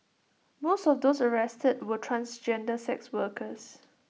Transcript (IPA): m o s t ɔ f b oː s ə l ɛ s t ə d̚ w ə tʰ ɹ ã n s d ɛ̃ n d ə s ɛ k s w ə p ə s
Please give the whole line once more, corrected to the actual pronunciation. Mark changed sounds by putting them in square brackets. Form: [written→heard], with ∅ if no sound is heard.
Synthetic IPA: m o s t ɔ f [b→d] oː s ə [l→ɹ] ɛ s t ə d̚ w ə tʰ ɹ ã n s [d→d͡ʒ] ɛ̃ n d ə s ɛ k s w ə [p→k] ə s